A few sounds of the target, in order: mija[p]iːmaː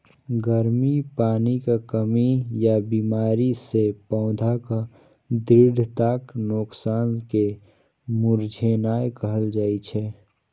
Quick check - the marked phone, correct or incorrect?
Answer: incorrect